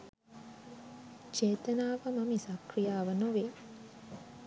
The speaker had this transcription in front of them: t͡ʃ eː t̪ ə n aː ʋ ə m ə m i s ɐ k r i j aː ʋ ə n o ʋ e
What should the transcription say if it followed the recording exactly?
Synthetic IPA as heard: t͡ʃ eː t̪ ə n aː ʋ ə m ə m i s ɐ k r i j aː ʋ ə n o ʋ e

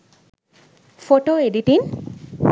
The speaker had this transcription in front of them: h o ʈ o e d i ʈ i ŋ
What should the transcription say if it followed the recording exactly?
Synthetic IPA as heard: f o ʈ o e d i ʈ i n

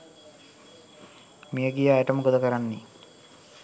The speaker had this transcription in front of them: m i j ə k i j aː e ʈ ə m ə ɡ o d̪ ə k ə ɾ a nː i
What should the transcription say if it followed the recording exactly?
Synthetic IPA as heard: m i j ə ɡ i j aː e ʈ ə m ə ɡ o d̪ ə k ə ɾ a nː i

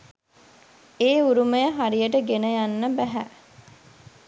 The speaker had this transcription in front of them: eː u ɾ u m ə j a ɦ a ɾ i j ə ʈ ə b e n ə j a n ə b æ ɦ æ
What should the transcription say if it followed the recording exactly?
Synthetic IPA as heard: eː u ɾ u m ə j ə ɦ a ɾ i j ə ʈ ə ɡ e n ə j a nː ə b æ ɦ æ

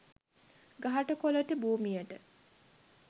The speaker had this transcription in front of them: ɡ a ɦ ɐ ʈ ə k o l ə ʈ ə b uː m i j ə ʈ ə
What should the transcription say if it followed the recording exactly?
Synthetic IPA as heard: ɡ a ɦ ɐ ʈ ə k o l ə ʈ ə b uː m i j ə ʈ ə

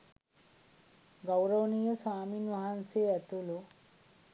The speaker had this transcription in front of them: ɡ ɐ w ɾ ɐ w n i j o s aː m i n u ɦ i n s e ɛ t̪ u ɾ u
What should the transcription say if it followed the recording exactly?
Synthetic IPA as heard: ɡ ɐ w ɾ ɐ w n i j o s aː m i n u ɦ a n s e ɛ t̪ u l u

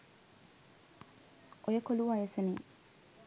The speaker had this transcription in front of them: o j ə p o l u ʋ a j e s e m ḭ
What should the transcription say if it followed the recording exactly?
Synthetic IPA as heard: o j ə k o l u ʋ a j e s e n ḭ

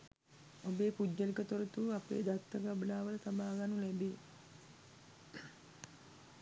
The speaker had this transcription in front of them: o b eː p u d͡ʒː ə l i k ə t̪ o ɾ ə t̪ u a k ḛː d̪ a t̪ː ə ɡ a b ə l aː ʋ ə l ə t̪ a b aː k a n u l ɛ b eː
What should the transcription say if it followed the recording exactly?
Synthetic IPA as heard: o b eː p u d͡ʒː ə l i k ə t̪ o ɾ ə t̪ u a p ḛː d̪ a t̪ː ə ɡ a b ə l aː ʋ ə l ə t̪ a b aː ɡ a n u l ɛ b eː

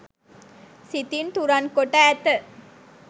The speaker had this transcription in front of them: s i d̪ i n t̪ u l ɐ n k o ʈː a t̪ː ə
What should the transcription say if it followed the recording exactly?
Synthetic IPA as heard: s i t̪ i n t̪ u ɾ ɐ n k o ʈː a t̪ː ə

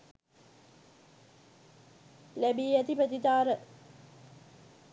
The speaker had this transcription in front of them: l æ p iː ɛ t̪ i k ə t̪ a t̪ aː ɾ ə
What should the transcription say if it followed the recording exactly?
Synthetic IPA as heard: l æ b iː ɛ t̪ i p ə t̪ i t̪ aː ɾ ə

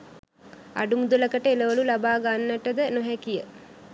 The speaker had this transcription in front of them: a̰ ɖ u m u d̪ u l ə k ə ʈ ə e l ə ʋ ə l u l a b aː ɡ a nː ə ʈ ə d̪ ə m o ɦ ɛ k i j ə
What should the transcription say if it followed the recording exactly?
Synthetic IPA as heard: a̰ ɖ u m u d̪ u l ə k ə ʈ ə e l ə ʋ ə l u l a b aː ɡ a nː ə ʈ ə d̪ ə n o ɦ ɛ k i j ə

